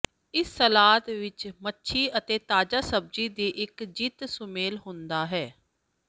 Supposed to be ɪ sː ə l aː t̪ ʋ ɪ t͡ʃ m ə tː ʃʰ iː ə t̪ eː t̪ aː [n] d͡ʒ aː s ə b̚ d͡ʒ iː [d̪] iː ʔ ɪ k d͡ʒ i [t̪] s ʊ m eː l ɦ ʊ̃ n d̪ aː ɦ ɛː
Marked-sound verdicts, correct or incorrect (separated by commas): incorrect, correct, correct